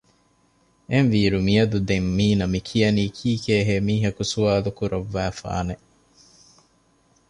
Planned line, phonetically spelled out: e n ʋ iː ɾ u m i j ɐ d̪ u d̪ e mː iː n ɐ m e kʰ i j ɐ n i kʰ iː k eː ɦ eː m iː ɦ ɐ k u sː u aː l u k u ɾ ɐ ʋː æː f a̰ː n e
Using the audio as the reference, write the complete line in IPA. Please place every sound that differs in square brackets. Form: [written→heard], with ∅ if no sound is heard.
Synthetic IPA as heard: e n ʋ iː ɾ u m i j ɐ d̪ u d̪ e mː iː n ɐ m [e→i] kʰ i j ɐ n [i→iː] kʰ iː k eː ɦ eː m iː ɦ ɐ k u [sː→s] u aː l u k u ɾ ɐ ʋː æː f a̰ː n e

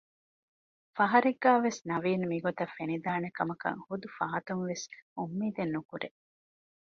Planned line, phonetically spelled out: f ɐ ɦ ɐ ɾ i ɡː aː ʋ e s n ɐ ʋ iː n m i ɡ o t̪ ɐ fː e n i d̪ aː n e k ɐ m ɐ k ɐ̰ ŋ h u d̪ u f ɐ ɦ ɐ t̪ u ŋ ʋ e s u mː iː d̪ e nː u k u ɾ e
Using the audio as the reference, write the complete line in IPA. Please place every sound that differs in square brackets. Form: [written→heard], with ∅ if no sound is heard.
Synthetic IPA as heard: f ɐ ɦ ɐ ɾ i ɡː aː ʋ e s n ɐ ʋ iː n m i ɡ o t̪ ɐ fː e n i d̪ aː n e k ɐ m ɐ k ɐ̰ ŋ h u d̪ u f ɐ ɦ ɐ t̪ u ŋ ʋ e s u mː iː d̪ e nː u k u ɾ e

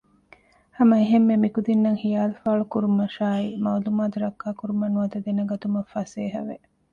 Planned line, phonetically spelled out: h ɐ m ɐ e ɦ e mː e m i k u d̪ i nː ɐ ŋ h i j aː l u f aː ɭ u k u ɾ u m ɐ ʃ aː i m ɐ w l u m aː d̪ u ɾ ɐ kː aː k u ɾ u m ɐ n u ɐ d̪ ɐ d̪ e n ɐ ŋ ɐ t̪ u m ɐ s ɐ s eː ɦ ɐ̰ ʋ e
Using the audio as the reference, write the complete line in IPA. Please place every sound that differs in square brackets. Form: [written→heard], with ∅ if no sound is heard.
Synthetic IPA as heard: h ɐ m ɐ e ɦ e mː e m i k u d̪ i nː ɐ ŋ h i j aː l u f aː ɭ u k u ɾ u m ɐ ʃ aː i m ɐ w l u m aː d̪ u ɾ ɐ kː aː k u ɾ u m ɐ n u ɐ d̪ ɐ d̪ e n ɐ [ŋ→ɡ] ɐ t̪ u m ɐ [s→f] ɐ s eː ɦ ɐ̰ ʋ e

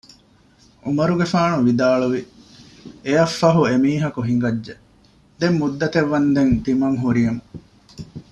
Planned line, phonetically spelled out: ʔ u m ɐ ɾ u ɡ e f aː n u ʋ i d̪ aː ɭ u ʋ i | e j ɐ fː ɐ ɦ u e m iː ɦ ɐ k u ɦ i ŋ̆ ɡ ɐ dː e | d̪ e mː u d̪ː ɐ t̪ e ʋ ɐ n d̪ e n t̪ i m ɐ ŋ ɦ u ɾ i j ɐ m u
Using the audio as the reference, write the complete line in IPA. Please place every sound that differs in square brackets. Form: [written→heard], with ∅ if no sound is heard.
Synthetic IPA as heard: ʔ u m ɐ ɾ u ɡ e f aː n u ʋ i d̪ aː ɭ u ʋ i | e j ɐ fː ɐ ɦ u e m iː ɦ ɐ k u ɦ i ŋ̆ ɡ ɐ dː e | d̪ e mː u d̪ː ɐ t̪ e [ʋ→ʋː] ɐ n d̪ e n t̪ i m ɐ ŋ ɦ u ɾ i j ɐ m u

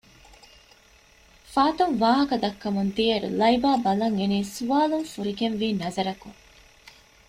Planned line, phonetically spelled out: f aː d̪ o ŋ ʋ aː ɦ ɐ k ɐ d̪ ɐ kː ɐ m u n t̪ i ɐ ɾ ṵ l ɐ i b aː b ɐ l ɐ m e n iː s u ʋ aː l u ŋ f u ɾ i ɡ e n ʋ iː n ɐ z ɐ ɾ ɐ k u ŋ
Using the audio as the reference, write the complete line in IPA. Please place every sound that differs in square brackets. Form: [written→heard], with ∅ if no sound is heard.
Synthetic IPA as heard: f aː [d̪→t̪] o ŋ ʋ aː ɦ ɐ k ɐ d̪ ɐ kː ɐ m u n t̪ i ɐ ɾ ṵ l ɐ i b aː b ɐ l ɐ [m→ŋ] e n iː s u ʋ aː l u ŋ f u ɾ i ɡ e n ʋ iː n ɐ z ɐ ɾ ɐ k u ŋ

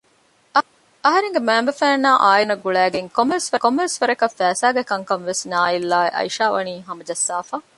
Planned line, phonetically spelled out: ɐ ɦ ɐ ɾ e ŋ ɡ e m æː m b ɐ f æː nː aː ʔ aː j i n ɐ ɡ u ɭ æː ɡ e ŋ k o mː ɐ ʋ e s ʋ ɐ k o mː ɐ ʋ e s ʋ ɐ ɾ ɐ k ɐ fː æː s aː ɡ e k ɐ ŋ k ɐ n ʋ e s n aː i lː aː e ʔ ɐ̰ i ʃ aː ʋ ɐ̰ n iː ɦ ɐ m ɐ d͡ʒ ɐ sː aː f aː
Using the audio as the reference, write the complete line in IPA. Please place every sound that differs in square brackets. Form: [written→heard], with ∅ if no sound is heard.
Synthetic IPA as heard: ɐ ɦ ɐ ɾ e ŋ ɡ e m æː m b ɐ f æː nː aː ʔ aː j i n ɐ ɡ u ɭ æː ɡ e ŋ k o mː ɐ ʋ e s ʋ ɐ k o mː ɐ ʋ e s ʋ ɐ ɾ ɐ k ɐ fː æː s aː ɡ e k ɐ ŋ k ɐ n ʋ e s n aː i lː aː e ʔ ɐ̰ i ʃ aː ʋ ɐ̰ n iː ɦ ɐ m ɐ d͡ʒ ɐ sː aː f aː

